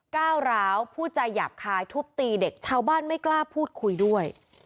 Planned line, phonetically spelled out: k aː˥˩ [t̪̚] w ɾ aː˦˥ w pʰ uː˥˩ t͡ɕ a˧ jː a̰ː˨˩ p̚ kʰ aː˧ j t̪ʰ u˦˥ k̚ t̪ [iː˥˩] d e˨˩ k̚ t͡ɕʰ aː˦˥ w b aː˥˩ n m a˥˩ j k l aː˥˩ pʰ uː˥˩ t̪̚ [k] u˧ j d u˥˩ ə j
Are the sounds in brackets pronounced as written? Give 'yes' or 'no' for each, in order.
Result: no, no, no

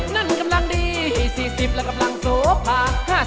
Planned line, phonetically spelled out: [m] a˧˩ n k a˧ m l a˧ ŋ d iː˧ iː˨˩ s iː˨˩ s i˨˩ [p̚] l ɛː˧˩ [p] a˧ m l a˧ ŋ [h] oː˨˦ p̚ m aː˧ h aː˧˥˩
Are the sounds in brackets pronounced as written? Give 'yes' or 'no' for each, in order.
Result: no, yes, no, no

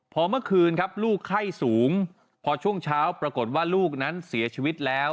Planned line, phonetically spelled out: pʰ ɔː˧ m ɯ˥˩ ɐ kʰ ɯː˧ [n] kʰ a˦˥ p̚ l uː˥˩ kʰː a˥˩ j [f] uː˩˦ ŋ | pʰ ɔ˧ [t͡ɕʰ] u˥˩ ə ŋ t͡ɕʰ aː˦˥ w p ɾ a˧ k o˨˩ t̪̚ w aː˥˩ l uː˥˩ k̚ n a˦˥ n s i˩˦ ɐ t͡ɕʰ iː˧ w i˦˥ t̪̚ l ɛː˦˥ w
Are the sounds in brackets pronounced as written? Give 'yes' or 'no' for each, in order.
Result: yes, no, yes

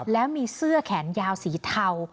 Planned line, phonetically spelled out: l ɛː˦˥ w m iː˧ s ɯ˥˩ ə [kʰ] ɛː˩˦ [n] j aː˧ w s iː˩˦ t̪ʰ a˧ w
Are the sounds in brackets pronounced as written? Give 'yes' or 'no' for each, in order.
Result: yes, yes

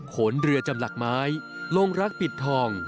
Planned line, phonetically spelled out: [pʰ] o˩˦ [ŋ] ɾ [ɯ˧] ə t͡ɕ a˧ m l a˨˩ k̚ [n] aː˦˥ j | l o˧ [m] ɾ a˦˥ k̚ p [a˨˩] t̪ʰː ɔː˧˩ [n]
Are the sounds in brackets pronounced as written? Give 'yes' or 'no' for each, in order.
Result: no, no, yes, no, no, no, no

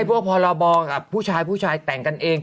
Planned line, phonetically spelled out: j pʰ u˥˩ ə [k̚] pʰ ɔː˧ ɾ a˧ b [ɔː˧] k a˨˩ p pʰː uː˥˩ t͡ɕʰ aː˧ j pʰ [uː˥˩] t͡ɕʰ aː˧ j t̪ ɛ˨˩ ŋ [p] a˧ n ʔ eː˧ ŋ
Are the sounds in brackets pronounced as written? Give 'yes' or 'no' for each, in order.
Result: yes, yes, yes, no

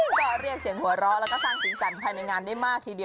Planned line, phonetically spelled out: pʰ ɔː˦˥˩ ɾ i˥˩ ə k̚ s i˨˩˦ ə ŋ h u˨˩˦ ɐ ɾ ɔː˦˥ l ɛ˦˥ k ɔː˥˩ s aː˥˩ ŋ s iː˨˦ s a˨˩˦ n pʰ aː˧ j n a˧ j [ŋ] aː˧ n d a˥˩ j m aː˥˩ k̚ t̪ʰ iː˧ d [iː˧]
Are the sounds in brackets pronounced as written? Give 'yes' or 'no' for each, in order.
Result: yes, no

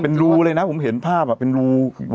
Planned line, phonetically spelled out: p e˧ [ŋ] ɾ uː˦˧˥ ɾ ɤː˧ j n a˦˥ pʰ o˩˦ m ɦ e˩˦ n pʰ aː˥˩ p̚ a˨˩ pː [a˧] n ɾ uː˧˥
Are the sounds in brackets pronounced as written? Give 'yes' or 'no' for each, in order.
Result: no, no

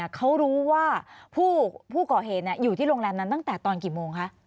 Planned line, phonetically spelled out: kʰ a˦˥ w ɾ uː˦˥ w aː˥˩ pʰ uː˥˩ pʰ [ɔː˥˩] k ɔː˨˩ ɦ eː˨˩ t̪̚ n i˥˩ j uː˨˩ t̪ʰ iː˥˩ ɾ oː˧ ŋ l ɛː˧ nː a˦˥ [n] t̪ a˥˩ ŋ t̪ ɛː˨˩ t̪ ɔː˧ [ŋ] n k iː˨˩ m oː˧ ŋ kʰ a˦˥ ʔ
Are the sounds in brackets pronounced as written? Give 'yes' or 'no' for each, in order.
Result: no, yes, no

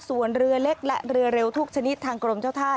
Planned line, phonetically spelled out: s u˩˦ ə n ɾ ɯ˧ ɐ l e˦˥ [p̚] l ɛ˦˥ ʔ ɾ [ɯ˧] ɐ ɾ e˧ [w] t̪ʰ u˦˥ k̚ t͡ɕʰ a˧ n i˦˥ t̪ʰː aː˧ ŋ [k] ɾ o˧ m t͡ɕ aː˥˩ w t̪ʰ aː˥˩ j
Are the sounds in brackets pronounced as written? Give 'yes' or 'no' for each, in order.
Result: no, yes, yes, yes

